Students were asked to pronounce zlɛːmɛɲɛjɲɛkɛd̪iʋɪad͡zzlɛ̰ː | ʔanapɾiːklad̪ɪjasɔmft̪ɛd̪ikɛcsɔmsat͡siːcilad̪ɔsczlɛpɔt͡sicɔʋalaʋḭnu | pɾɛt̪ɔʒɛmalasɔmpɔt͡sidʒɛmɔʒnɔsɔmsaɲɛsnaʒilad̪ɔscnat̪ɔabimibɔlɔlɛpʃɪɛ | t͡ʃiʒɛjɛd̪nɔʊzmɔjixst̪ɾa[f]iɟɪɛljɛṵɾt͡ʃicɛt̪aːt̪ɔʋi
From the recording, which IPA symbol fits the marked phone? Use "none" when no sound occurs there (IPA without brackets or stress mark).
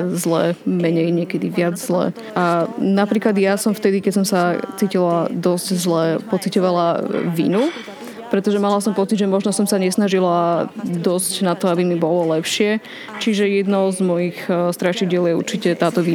ʃ